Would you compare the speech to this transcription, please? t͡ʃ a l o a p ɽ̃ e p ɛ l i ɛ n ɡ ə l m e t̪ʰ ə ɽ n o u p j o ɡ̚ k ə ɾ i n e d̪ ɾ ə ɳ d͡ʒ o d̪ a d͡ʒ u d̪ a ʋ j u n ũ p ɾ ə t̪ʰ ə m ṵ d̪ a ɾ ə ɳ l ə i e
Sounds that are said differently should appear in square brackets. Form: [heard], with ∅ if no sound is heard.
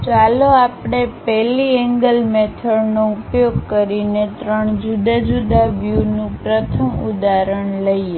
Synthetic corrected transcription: t͡ʃ a l o a p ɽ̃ e p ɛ l i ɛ [ŋ] ɡ ə l m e t̪ʰ ə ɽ n o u p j o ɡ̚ k ə ɾ i n e [t̪] ɾ ə ɳ d͡ʒ [u] d̪ a d͡ʒ u d̪ a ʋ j u n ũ p ɾ ə t̪ʰ ə m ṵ d̪ a ɾ ə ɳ l ə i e